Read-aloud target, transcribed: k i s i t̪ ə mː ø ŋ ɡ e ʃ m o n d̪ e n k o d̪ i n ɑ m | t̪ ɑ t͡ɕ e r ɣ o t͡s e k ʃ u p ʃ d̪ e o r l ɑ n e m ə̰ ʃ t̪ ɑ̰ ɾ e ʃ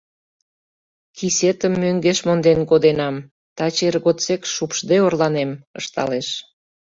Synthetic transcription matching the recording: k i s e t̪ ə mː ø ŋ ɡ e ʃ m o n d̪ e n k o d̪ e n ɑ m | t̪ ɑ t͡ɕ e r ɣ o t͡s e k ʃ u p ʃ d̪ e o r l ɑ n e m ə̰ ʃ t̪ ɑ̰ l e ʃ